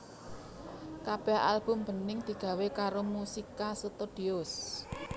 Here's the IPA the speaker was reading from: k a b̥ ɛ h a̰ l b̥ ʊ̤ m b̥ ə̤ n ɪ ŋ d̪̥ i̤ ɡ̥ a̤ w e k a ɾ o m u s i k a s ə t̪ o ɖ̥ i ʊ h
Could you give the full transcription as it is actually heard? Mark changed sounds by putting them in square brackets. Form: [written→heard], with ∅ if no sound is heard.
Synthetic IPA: k a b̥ ɛ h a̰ l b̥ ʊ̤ m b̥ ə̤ n ɪ ŋ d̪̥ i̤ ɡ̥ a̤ w e k a ɾ o m u s i k a s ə t̪ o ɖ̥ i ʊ [h→s]